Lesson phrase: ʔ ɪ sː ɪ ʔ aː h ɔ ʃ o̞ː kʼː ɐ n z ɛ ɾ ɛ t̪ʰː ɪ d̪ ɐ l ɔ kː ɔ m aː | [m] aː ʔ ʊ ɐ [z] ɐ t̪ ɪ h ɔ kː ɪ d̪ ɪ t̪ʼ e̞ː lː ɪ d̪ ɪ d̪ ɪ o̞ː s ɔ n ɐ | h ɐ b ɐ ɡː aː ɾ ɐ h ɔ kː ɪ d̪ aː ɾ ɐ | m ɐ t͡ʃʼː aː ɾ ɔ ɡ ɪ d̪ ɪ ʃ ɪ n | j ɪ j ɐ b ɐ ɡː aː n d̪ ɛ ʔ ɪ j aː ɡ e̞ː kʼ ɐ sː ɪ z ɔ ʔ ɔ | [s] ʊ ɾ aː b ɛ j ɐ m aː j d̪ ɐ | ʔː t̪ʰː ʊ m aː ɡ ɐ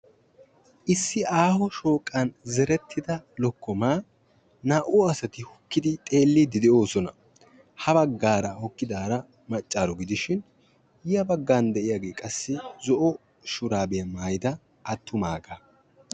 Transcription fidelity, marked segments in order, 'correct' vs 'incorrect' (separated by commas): incorrect, incorrect, incorrect